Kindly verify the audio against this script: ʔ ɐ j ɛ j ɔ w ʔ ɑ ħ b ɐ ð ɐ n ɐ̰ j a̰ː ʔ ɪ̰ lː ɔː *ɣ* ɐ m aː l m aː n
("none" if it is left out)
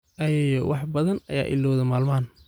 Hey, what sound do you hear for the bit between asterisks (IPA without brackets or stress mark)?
ð